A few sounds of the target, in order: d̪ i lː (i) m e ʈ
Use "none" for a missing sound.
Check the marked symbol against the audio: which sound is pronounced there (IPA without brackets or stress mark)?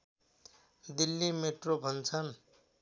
i